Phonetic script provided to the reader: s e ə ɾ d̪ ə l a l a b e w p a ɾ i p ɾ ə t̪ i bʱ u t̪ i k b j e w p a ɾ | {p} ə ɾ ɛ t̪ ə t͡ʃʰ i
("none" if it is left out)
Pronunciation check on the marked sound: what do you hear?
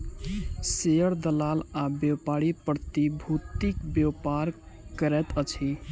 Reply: k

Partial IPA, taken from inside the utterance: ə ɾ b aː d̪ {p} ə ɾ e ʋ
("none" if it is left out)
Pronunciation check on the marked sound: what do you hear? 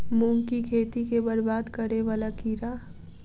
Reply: k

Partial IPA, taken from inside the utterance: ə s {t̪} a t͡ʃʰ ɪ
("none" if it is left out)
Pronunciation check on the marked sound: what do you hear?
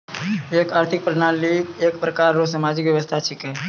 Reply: t̪ʰ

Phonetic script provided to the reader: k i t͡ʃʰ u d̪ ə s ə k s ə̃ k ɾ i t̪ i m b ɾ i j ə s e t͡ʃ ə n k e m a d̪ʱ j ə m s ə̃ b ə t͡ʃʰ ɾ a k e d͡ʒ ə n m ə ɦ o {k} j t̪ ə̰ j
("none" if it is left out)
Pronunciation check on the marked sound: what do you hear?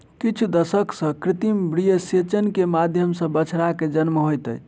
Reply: none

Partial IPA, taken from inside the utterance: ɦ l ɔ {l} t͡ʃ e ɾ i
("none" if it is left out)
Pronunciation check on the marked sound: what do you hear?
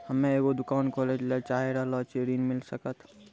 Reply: none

